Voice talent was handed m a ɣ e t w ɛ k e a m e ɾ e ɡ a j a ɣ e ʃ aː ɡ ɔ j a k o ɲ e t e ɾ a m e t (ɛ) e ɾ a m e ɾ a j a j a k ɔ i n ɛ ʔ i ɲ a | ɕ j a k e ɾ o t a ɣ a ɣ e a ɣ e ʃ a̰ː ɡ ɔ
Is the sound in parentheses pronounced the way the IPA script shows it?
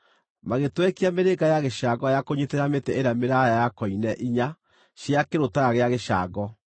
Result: yes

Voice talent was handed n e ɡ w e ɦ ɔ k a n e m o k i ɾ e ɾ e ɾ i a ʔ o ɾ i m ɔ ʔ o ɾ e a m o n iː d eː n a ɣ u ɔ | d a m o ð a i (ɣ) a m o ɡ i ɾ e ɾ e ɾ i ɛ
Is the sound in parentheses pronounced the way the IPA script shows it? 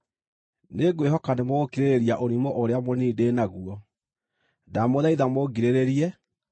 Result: no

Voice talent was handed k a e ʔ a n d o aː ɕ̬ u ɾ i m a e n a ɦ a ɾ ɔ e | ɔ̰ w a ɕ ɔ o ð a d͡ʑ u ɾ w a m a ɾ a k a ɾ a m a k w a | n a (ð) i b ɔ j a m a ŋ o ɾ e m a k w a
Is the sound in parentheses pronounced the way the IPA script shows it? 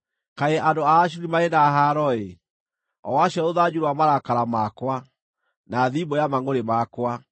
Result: yes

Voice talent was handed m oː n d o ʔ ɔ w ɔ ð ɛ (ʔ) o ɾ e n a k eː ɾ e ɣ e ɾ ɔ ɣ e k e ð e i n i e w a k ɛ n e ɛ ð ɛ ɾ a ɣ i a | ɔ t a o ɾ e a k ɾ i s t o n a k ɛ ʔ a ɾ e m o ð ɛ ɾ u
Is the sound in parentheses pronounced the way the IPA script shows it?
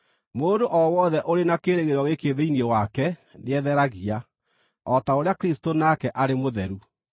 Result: yes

